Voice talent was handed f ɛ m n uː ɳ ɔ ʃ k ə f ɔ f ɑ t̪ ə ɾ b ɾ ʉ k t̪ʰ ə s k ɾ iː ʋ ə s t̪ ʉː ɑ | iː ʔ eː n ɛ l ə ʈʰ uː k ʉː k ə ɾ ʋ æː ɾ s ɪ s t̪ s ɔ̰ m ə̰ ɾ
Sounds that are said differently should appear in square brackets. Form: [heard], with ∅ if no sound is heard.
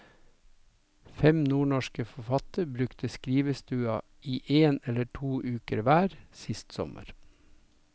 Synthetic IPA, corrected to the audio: f ɛ m n uː ɳ ɔ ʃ k ə f ɔ f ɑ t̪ ə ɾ b ɾ ʉ k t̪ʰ ə s k ɾ iː ʋ ə s t̪ ʉː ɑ | iː ʔ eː n ɛ l ə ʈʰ uː [ʔ] ʉː k ə ɾ ʋ æː ɾ s ɪ s t̪ s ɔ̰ m ə̰ ɾ

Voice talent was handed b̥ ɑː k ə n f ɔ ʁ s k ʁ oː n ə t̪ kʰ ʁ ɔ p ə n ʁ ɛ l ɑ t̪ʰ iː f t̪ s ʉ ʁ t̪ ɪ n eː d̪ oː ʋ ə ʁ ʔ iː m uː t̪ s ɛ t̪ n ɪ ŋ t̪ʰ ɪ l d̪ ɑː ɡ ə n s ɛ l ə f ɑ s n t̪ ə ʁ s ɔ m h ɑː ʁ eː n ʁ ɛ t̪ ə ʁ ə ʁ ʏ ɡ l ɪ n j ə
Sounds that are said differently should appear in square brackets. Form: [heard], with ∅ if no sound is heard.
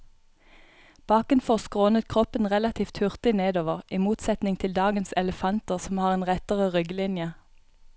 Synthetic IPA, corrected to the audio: b̥ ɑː k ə n f ɔ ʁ s k ʁ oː n ə t̪ kʰ ʁ ɔ p ə n ʁ ɛ l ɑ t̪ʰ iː f t̪ [h] ʉ ʁ t̪ ɪ n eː d̪ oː ʋ ə ʁ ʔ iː m uː t̪ s ɛ t̪ n ɪ ŋ t̪ʰ ɪ l d̪ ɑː ɡ ə n s ɛ l ə f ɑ [∅] n t̪ ə ʁ s ɔ m h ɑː ʁ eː n ʁ ɛ t̪ ə ʁ ə ʁ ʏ ɡ l ɪ n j ə

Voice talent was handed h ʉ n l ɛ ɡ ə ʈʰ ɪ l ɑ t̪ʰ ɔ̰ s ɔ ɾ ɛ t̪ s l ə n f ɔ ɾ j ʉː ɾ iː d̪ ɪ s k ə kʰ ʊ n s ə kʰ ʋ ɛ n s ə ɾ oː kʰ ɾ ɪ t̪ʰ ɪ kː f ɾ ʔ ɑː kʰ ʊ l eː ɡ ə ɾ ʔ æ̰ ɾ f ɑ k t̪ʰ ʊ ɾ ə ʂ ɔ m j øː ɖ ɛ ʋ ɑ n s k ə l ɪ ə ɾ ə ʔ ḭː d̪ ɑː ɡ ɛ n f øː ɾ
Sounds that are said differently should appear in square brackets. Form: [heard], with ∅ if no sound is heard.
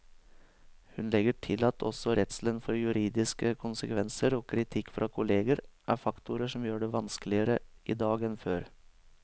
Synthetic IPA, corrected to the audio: h ʉ n l ɛ ɡ ə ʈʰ ɪ l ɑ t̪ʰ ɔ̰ s ɔ ɾ ɛ t̪ s l ə n f ɔ ɾ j [ʉ] ɾ iː d̪ ɪ s k ə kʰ ʊ n s ə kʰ ʋ ɛ n s ə ɾ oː kʰ ɾ ɪ t̪ʰ ɪ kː f ɾ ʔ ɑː kʰ ʊ l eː ɡ ə ɾ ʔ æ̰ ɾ f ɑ k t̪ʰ ʊ ɾ ə ʂ ɔ m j øː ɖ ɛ ʋ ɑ n s k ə l ɪ ə ɾ ə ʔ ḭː d̪ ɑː ɡ ɛ n f øː ɾ

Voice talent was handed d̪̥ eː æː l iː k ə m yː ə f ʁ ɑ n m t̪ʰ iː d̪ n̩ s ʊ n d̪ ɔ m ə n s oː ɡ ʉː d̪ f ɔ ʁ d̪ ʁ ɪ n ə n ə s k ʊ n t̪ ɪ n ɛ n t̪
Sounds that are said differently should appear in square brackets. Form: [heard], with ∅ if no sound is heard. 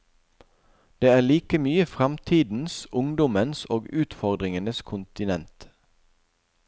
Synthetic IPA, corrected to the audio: d̪̥ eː æː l iː k ə m yː ə f ʁ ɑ [∅] m t̪ʰ iː d̪ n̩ s ʊ [ŋ] d̪ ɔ m ə n s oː ɡ ʉː [t̪] f ɔ ʁ d̪ ʁ ɪ [ŋ] ə n ə s [kʰ] ʊ n t̪ ɪ n ɛ n t̪

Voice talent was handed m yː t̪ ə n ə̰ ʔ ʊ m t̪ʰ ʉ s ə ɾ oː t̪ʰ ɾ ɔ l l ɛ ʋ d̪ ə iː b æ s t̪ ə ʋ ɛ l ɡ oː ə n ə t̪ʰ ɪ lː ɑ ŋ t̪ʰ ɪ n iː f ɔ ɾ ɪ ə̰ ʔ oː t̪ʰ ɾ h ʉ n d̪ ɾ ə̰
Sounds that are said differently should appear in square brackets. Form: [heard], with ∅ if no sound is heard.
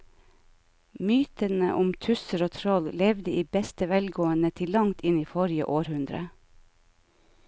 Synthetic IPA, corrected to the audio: m yː t̪ ə n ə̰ ʔ ʊ m t̪ʰ ʉ s ə ɾ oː t̪ʰ ɾ ɔ l l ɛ ʋ d̪ ə iː b [ɛ] s t̪ ə ʋ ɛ l ɡ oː ə n ə t̪ʰ ɪ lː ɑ ŋ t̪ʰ ɪ n iː f ɔ ɾ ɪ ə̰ ʔ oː [∅] ɾ h ʉ n d̪ ɾ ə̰

